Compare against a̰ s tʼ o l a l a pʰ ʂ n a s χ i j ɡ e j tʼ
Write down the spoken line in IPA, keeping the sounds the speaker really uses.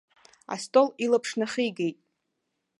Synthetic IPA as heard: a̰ s tʼ o l i l a pʰ ʂ n a χ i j ɡ e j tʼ